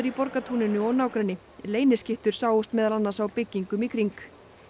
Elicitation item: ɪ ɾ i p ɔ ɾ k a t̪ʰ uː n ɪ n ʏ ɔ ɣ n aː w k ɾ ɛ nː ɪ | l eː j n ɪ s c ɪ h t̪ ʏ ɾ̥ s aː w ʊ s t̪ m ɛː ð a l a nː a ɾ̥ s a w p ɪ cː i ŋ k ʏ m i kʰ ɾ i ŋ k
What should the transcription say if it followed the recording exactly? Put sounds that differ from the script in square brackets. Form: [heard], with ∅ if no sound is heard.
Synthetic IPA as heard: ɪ ɾ i p ɔ ɾ k a t̪ʰ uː n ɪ n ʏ ɔ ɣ n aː w k ɾ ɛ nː ɪ | l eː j n ɪ s c ɪ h t̪ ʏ ɾ̥ s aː w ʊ s t̪ m ɛː ð a l a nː a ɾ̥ s a w p ɪ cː i ŋ k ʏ m i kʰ ɾ i ŋ k